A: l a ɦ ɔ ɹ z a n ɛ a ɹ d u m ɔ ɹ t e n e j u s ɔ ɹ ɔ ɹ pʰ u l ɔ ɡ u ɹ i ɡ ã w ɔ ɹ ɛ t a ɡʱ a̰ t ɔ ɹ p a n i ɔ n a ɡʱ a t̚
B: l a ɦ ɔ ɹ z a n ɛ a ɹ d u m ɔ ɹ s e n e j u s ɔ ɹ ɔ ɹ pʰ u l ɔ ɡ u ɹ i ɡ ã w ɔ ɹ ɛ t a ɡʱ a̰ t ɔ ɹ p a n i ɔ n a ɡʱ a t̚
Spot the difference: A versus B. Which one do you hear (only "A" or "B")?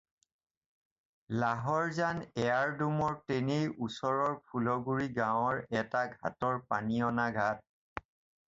A